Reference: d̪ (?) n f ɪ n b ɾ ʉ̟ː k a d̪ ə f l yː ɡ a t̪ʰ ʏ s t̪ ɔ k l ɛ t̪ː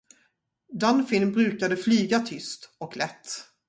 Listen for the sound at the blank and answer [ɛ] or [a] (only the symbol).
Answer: a